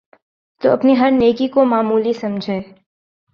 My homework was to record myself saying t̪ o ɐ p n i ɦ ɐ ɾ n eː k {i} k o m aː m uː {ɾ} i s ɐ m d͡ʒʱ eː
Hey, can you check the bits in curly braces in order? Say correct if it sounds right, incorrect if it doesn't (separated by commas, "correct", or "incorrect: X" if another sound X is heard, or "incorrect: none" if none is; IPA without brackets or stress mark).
correct, incorrect: l